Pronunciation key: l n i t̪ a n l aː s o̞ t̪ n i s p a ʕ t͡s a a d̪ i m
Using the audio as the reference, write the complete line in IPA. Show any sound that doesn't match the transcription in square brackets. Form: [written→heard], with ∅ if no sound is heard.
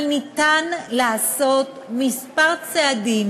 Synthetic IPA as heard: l n i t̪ a n l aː s o̞ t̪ [n→m] i s p a [ʕ→ʁ] t͡s [a→e] a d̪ i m